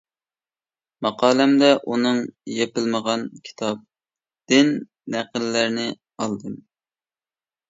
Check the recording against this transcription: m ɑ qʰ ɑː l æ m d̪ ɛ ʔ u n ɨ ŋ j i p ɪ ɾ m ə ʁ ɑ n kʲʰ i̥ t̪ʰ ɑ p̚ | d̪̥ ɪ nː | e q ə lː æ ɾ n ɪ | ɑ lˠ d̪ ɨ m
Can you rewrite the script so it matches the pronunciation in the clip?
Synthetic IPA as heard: m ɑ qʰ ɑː l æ m d̪ ɛ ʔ u n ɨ ŋ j e p ɪ l m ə ʁ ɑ n kʲʰ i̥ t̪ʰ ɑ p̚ | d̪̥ ɪ nː | æ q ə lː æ ɾ n ɪ | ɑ lˠ d̪ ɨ m